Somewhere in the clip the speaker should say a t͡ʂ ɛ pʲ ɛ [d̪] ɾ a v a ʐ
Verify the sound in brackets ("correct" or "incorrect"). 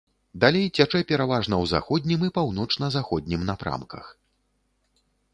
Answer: incorrect